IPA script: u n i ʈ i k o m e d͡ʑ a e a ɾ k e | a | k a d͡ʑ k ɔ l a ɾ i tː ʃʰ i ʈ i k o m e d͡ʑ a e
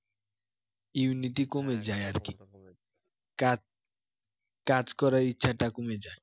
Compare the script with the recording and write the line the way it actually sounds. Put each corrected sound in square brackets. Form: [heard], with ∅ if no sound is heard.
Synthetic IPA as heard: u n i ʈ i k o m e d͡ʑ a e a ɾ k [i] | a | k a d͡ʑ k ɔ [ɾ] a ɾ i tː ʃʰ [a] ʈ [a] k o m e d͡ʑ a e

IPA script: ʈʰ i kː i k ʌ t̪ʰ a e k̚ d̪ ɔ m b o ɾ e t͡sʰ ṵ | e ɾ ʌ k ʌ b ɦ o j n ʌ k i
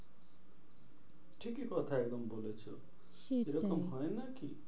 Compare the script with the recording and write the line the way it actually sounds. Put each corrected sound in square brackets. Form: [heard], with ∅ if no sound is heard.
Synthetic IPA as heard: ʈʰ i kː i k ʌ t̪ʰ a e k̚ d̪ [ʌ] m b o [l] e t͡sʰ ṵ | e ɾ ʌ k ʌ [m] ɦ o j n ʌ k i

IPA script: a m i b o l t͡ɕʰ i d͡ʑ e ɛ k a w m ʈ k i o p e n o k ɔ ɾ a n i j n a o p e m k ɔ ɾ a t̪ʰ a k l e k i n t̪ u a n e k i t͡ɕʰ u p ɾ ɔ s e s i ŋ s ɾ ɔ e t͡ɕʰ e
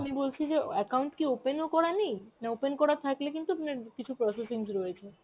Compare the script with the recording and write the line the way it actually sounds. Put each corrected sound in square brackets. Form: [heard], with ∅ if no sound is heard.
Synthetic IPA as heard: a m i b o l t͡ɕʰ i d͡ʑ e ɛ k a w [ɳ] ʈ k i o p e n o k ɔ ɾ a n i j n a o p e [n] k ɔ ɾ a t̪ʰ a k l e k i n t̪ u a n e k i t͡ɕʰ u p ɾ ɔ s e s i ŋ s ɾ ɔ e t͡ɕʰ e

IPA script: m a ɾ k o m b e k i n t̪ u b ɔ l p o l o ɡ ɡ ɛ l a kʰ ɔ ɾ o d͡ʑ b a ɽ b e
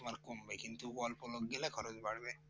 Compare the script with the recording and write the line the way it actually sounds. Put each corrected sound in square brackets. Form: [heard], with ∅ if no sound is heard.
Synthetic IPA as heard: m a ɾ k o m b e k i n t̪ u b ɔ l p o l o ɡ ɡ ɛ l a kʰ ɔ ɾ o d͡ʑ b a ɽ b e

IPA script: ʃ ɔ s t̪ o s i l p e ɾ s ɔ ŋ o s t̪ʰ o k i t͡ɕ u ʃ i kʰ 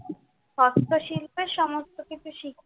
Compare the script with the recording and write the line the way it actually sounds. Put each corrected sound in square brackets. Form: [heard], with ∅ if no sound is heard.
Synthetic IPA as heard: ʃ ɔ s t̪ o [ʃ] i l p e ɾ [ʃ] ɔ [m] o s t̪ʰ o k i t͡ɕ u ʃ i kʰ

